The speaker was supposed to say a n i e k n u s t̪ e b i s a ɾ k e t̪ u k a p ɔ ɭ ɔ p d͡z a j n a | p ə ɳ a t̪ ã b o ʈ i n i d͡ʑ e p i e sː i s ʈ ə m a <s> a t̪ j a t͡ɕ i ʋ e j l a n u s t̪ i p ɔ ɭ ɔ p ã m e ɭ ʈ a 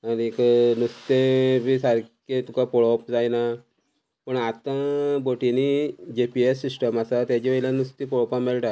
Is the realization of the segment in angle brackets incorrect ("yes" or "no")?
no